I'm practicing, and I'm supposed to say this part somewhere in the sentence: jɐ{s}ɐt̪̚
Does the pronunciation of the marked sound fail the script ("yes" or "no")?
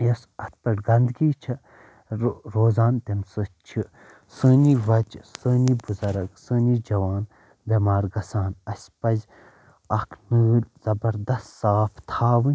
no